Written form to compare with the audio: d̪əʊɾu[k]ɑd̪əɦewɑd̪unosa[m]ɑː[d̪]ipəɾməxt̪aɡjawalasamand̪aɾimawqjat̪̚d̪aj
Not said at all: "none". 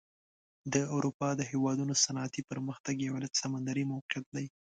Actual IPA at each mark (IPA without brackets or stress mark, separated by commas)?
p, n, t̪